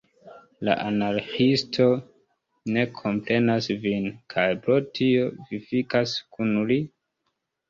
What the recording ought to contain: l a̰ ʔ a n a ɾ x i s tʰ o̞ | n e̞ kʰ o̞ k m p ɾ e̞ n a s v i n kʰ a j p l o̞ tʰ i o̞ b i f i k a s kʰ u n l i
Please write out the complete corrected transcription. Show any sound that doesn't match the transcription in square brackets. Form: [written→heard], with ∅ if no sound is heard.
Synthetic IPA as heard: l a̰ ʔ a n a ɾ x i s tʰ o̞ | n e̞ kʰ o̞ [k→∅] m p ɾ e̞ n a s v i n kʰ a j p [l→ɾ] o̞ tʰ i o̞ [b→v] i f i k a s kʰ u n l i